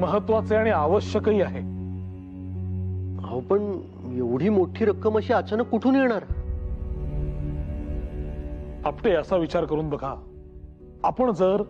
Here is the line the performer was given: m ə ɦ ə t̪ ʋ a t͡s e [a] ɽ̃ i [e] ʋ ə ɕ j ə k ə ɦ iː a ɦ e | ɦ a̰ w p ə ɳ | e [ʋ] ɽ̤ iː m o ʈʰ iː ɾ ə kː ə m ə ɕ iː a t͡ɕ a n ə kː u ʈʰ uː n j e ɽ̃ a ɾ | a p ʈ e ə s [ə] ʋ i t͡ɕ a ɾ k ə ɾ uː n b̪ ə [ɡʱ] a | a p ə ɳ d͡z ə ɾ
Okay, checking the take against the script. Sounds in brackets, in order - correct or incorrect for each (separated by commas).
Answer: correct, incorrect, correct, incorrect, correct